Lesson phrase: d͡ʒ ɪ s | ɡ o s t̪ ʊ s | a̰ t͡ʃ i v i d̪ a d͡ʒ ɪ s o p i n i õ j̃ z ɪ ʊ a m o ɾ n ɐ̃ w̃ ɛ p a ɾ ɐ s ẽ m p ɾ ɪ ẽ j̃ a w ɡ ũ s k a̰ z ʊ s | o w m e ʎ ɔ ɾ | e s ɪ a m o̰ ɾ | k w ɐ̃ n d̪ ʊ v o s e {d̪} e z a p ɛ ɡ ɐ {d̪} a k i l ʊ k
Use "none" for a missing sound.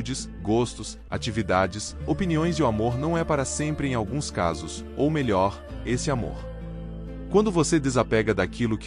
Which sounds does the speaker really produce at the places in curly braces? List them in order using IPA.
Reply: d̪, d̪

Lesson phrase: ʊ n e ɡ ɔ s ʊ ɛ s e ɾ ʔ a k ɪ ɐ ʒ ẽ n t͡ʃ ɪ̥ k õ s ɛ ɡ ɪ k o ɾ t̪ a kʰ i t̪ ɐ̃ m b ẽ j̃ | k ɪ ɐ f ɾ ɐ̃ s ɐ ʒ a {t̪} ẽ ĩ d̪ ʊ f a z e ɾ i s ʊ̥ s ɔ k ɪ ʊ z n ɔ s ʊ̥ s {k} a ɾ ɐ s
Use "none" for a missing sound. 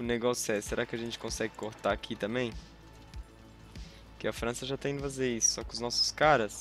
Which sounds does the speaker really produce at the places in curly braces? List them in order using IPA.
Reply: t̪, k

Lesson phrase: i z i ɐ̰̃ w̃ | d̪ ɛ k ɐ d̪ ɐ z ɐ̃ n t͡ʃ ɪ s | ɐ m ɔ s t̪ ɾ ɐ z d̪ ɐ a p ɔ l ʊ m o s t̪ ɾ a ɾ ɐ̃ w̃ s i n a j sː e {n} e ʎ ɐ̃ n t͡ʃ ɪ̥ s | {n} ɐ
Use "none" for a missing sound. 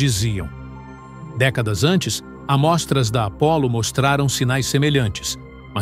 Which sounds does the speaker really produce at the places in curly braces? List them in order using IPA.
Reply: m, m

